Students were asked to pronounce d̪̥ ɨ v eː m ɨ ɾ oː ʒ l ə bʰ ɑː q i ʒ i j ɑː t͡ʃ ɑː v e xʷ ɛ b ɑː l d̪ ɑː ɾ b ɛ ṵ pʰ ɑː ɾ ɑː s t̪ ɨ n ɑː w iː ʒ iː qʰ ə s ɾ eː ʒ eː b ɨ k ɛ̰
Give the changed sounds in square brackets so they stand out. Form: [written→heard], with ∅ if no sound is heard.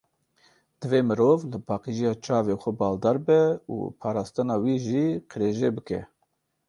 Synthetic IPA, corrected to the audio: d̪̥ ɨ v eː m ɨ ɾ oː [ʒ→v] l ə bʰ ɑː q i ʒ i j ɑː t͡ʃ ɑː v e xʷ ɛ b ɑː l d̪ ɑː ɾ b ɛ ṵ pʰ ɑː ɾ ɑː s t̪ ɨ n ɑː w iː ʒ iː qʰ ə [s→∅] ɾ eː ʒ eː b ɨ k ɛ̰

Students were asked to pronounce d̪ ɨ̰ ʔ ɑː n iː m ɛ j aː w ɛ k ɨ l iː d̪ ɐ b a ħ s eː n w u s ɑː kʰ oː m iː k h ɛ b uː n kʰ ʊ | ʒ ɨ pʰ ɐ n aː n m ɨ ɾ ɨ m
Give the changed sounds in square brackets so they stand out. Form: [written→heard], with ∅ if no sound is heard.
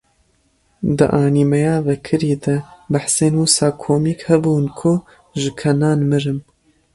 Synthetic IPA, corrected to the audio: d̪ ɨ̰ ʔ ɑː n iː m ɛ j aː [w→v] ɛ [k→kʰ] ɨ [l→ɾ] iː d̪ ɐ b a ħ s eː n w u s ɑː kʰ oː m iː k h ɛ b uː n kʰ ʊ | ʒ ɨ [pʰ→kʰ] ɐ n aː n m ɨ ɾ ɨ m

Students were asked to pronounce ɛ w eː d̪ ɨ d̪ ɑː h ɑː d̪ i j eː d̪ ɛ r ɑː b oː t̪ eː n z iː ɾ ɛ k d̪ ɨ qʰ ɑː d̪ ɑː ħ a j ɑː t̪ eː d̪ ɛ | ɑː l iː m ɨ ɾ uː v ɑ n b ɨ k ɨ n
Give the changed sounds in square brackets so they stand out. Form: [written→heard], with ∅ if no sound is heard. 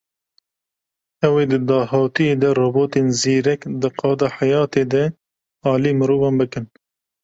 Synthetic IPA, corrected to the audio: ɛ w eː d̪ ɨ d̪ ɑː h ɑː [d̪→t̪] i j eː d̪ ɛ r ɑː b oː t̪ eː n z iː ɾ ɛ k d̪ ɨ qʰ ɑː d̪ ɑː ħ a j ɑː t̪ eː d̪ ɛ | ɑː l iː m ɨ ɾ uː v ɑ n b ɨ k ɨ n

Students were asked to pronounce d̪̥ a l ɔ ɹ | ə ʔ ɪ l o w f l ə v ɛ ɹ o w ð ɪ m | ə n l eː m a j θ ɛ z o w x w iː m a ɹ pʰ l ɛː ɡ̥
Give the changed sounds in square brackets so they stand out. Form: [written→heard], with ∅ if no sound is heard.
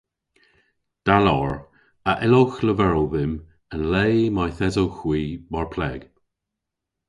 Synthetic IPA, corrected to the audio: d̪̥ a l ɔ ɹ | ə ʔ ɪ l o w [f→x] l ə v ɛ ɹ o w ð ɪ m | ə n l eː m a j θ ɛ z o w x w iː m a ɹ pʰ l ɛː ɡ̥

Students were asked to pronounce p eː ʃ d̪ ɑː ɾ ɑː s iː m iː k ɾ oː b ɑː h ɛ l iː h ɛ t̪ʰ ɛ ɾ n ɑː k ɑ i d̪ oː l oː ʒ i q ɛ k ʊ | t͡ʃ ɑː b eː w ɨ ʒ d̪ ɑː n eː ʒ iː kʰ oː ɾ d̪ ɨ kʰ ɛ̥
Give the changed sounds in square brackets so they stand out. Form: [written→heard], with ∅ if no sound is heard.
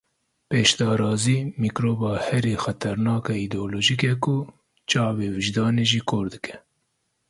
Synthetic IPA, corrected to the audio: p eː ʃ d̪ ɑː ɾ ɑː [s→z] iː m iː k ɾ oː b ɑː h ɛ [l→ɾ] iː [h→x] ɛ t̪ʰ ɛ ɾ n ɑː k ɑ i d̪ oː l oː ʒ i [q→k] ɛ k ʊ | t͡ʃ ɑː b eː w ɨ ʒ d̪ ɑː n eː ʒ iː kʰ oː ɾ d̪ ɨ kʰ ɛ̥

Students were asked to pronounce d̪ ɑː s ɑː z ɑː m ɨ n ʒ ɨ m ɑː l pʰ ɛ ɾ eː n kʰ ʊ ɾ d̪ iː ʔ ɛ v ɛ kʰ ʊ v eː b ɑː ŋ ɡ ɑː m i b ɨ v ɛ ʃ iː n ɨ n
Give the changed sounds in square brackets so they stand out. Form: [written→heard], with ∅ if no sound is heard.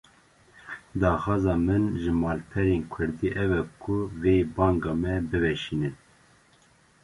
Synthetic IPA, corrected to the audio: d̪ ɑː [s→x] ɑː z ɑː m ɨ n ʒ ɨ m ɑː l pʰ ɛ ɾ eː n kʰ ʊ ɾ d̪ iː ʔ ɛ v ɛ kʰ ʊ v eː b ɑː ŋ ɡ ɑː m [i→ɛ] b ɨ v ɛ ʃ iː n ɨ n

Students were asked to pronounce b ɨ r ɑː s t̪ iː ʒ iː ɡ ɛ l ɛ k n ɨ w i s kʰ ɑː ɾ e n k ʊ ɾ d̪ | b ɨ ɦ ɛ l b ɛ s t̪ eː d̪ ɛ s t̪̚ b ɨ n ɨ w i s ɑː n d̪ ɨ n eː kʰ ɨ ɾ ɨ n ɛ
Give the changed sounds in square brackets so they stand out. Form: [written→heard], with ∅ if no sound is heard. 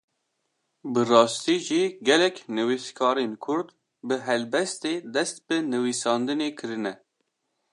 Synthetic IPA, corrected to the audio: b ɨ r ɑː s t̪ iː ʒ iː ɡ ɛ l ɛ k n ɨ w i s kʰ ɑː ɾ e n [k→kʰ] ʊ ɾ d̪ | b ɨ ɦ ɛ l b ɛ s t̪ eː d̪ ɛ s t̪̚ b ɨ n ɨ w i s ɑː n d̪ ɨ n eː kʰ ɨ ɾ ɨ n ɛ

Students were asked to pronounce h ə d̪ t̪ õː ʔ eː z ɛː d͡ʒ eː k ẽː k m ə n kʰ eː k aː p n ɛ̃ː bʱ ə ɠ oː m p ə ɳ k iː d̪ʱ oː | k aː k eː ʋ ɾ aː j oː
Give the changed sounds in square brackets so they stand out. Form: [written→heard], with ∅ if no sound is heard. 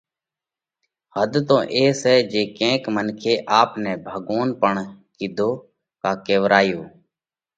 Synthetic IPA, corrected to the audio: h ə d̪ t̪ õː ʔ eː [z→s] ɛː d͡ʒ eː k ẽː k m ə n kʰ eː [k→ʔ] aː p n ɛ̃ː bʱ ə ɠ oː [m→n] p ə ɳ k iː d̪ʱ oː | k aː k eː ʋ ɾ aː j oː

